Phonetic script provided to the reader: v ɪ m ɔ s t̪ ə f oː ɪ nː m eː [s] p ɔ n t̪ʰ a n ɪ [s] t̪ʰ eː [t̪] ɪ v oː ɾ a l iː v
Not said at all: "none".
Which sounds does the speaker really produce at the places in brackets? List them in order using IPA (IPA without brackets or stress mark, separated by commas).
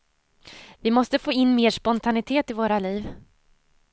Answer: ʂ, none, t̪